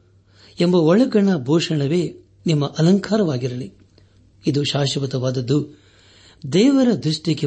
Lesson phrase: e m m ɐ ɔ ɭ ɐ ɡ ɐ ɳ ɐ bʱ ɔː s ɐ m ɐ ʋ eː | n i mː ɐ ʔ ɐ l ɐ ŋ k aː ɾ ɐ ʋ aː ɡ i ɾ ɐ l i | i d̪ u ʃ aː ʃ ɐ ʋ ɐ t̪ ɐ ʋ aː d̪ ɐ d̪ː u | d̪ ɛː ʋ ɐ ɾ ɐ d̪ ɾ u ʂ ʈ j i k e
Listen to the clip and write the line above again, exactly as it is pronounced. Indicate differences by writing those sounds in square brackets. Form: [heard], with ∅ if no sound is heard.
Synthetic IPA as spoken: e m [b] ɐ ɔ ɭ ɐ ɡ ɐ ɳ ɐ bʱ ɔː [ʂ] ɐ [ɳ] ɐ ʋ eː | n i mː ɐ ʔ ɐ l ɐ ŋ k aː ɾ ɐ ʋ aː ɡ i ɾ ɐ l i | i d̪ u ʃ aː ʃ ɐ ʋ ɐ t̪ ɐ ʋ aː d̪ ɐ d̪ː u | d̪ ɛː ʋ ɐ ɾ ɐ d̪ ɾ u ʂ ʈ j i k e